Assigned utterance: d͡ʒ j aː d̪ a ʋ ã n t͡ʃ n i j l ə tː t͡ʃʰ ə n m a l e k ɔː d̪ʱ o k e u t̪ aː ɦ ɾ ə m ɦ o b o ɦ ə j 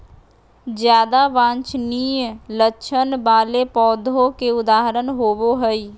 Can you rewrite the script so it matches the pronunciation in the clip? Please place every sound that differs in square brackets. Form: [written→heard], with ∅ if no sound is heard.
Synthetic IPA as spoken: d͡ʒ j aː d̪ a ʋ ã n t͡ʃ n i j l ə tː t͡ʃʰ ə n [m→b] a l e [k→p] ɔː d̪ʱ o k e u [t̪→d̪] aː ɦ ɾ ə [m→n] ɦ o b o ɦ ə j